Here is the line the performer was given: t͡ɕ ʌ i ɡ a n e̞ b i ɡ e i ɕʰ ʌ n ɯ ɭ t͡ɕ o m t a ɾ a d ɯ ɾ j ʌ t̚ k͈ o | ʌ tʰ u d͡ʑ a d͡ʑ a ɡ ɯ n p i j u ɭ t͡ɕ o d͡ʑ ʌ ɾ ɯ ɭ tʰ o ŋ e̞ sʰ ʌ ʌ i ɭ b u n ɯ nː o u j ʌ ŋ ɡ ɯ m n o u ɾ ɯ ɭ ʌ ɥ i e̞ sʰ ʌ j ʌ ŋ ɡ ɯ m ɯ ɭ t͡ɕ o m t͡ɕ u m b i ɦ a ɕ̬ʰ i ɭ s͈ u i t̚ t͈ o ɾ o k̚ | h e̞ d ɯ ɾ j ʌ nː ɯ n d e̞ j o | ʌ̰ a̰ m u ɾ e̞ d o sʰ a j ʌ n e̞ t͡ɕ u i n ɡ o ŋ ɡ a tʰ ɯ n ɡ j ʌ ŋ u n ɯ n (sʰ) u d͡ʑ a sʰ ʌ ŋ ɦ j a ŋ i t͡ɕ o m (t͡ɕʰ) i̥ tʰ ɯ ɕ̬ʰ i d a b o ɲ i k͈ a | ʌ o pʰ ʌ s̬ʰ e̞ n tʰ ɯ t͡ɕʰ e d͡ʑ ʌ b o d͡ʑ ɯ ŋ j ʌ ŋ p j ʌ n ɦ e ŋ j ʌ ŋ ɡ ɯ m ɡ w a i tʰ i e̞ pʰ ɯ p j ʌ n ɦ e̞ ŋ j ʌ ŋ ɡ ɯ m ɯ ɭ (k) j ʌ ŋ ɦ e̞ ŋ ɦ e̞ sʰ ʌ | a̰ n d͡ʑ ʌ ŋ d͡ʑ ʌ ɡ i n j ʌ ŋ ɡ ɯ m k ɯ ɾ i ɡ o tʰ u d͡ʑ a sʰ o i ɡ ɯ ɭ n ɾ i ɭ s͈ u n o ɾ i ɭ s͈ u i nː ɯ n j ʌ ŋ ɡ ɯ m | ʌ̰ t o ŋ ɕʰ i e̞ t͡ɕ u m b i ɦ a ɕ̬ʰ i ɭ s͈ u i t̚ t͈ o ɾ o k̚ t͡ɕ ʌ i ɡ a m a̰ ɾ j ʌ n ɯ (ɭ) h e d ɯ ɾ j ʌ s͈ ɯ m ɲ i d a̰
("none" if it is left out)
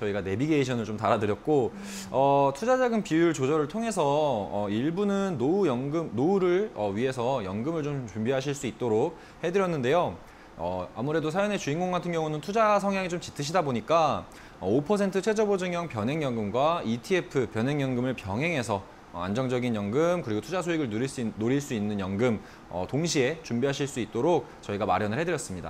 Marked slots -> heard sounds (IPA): tʰ, t͡ɕ, p, ɭ

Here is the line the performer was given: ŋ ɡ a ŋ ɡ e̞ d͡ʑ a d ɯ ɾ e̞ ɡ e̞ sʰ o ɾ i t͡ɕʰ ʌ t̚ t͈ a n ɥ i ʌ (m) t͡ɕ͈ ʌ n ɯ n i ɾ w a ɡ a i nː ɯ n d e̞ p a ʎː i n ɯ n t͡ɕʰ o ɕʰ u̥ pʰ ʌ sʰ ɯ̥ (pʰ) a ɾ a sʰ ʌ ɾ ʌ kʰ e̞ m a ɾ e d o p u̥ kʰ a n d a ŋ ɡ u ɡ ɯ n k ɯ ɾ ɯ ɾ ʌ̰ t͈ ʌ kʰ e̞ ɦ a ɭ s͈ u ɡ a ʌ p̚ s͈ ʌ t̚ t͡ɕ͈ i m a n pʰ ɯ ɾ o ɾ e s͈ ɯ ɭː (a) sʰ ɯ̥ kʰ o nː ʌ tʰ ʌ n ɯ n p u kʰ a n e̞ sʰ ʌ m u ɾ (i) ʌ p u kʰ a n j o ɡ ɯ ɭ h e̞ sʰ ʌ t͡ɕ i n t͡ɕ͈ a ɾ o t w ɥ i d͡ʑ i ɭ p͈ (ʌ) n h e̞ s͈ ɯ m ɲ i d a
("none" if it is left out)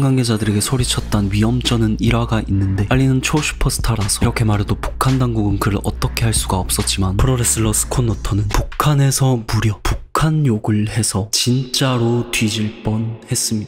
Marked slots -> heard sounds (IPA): m, tʰ, ʌ, j, ʌ

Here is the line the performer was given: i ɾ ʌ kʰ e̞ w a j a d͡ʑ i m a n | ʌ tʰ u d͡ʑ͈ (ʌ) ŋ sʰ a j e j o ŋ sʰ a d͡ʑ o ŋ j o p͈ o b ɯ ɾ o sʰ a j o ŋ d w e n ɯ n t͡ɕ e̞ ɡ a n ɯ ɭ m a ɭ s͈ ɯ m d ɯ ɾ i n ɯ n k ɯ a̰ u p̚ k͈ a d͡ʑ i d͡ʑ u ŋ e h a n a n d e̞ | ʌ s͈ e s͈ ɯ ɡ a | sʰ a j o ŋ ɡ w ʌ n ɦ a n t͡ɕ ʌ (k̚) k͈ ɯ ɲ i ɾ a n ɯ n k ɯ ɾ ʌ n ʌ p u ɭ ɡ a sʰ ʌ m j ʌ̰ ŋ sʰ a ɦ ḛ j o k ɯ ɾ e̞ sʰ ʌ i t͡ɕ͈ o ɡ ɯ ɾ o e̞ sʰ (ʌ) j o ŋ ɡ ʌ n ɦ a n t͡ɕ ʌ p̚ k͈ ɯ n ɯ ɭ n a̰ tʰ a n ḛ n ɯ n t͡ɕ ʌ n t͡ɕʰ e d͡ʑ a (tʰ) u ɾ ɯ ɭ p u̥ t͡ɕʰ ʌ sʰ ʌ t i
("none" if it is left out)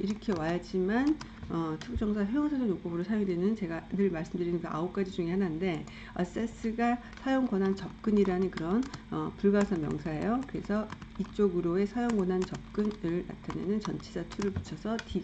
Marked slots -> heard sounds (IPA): ʌ, p̚, a, tʰ

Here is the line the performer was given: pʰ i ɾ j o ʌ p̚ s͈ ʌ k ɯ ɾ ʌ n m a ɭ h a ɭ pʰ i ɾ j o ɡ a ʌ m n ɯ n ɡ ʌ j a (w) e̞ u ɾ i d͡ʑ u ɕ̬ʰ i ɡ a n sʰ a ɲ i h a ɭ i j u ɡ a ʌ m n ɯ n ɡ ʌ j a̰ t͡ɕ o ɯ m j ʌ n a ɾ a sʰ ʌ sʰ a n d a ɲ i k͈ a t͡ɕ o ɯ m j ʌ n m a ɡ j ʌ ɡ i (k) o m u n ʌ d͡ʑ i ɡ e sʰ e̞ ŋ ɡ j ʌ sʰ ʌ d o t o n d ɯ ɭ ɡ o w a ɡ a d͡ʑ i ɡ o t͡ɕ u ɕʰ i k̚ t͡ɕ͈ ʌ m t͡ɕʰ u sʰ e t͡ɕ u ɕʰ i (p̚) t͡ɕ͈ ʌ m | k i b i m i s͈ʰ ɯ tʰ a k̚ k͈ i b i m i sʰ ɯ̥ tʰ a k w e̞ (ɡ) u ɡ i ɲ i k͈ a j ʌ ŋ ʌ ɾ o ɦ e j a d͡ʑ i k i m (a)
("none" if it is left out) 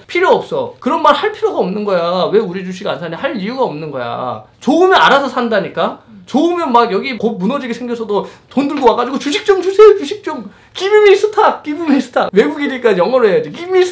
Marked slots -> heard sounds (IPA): w, k, k̚, ɡ, i

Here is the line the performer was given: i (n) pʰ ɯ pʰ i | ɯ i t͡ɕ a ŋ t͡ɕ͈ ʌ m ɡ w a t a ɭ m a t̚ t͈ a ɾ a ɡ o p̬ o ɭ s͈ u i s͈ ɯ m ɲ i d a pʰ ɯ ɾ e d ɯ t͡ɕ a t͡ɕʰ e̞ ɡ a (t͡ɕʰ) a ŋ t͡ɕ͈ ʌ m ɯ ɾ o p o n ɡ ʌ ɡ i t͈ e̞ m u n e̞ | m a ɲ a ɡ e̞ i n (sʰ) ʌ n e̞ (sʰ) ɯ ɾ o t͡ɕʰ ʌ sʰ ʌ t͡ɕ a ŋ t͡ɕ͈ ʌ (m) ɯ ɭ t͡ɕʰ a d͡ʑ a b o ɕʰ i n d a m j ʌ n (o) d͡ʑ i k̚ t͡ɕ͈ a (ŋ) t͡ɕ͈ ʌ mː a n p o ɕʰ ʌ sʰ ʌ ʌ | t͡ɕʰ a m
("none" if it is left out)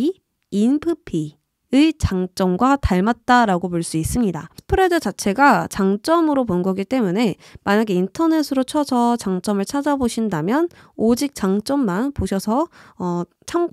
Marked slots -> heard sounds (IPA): n, t͡ɕ, tʰ, sʰ, m, o, ŋ

